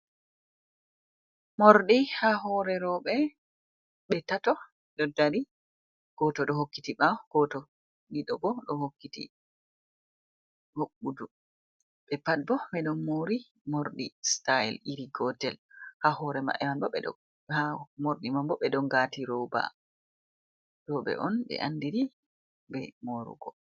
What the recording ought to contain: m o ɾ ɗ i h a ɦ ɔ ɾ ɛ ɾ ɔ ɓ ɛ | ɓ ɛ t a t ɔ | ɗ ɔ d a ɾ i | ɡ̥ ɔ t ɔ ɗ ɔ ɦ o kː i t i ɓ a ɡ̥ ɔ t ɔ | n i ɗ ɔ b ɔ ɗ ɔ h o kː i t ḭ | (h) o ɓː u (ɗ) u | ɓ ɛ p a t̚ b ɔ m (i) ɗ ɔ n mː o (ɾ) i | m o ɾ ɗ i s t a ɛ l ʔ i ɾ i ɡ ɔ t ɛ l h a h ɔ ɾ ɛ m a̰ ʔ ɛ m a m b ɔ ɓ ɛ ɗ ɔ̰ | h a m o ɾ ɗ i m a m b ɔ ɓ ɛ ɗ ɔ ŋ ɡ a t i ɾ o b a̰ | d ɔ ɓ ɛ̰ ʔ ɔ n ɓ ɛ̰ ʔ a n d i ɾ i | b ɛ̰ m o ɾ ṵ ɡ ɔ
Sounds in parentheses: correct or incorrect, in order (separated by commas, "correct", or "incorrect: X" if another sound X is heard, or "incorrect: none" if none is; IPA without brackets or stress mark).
correct, incorrect: d, incorrect: ɛ, correct